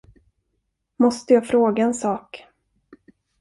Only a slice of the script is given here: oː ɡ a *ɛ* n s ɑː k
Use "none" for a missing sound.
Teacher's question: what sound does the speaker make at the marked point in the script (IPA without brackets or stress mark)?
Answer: ɛ